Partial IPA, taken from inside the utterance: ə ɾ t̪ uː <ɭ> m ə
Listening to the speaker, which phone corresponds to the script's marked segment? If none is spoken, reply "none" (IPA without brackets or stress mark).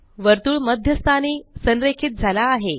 ɭ